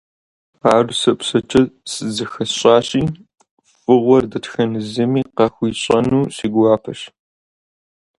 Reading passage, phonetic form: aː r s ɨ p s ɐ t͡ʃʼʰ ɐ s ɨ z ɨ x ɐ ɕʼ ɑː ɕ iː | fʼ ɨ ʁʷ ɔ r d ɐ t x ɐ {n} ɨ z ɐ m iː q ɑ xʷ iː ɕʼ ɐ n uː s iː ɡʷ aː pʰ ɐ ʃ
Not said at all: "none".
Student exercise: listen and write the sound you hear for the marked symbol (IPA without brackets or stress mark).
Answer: n